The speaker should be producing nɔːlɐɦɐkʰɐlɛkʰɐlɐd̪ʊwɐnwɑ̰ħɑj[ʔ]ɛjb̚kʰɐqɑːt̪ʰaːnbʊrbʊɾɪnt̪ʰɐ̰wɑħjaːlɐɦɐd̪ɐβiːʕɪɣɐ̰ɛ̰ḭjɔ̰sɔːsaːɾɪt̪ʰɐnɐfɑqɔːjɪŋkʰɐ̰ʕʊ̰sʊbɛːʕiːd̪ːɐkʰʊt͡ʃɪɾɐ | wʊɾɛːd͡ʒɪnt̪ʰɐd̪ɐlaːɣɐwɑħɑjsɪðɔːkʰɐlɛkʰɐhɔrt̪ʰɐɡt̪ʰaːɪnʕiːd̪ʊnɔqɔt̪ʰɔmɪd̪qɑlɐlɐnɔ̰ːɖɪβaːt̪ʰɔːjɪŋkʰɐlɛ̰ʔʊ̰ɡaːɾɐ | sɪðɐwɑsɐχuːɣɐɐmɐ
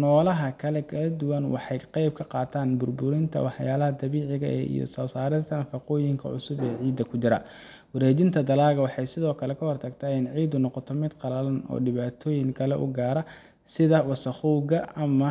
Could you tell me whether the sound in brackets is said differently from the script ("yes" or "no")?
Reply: yes